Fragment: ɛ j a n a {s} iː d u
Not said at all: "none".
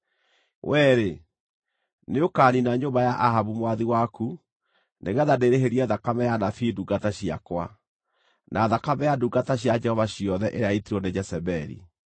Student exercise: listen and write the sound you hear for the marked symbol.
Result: f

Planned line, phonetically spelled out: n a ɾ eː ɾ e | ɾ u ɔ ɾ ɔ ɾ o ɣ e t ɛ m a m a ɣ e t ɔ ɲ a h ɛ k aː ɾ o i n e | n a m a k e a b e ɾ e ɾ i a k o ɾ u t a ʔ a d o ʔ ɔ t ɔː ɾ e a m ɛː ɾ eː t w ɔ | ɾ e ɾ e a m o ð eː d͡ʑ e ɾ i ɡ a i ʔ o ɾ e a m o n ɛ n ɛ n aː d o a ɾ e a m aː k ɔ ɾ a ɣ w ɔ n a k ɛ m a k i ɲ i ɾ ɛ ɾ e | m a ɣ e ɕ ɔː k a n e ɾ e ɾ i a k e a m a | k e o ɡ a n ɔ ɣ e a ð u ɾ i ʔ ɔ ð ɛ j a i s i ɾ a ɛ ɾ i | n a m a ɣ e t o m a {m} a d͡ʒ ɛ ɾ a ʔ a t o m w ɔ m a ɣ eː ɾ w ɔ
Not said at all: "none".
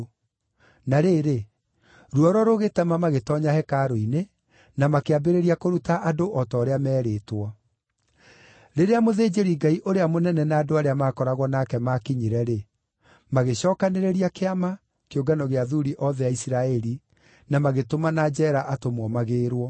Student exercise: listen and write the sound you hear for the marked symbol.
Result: n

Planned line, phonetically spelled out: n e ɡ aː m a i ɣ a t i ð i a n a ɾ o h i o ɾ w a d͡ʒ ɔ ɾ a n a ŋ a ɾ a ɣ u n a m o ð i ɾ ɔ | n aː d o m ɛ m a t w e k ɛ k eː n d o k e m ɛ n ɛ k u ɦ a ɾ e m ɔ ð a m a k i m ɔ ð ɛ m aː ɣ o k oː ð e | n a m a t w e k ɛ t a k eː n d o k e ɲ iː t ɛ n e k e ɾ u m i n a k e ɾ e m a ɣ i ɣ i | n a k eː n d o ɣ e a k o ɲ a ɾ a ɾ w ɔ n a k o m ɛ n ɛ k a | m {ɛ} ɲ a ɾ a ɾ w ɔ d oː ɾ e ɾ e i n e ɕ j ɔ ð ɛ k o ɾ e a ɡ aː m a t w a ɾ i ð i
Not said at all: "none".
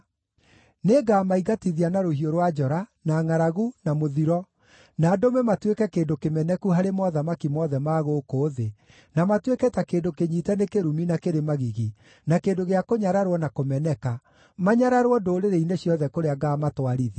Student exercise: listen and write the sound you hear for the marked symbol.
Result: a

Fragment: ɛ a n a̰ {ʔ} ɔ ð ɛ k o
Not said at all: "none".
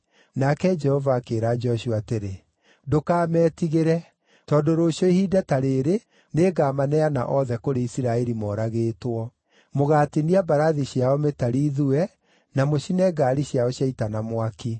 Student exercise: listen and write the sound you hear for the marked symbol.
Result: ʔ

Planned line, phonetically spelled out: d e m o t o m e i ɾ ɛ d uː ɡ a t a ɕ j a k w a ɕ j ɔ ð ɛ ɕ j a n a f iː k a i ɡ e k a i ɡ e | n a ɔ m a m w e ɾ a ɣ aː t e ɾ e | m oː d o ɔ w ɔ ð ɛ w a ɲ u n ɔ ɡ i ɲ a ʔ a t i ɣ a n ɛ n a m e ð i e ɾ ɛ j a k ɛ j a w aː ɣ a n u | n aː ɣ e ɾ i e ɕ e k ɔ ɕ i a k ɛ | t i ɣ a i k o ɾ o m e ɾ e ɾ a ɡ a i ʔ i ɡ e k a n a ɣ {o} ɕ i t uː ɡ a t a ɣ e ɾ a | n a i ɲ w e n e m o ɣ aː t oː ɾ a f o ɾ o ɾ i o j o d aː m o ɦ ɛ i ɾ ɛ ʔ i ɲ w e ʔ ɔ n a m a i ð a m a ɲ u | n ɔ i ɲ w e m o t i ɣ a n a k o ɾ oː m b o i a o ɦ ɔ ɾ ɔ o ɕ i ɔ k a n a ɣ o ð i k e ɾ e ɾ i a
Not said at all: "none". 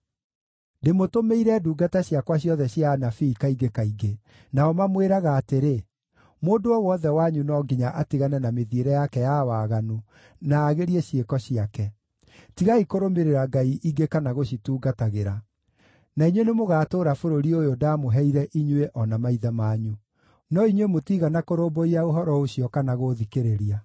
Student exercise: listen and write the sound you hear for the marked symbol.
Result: o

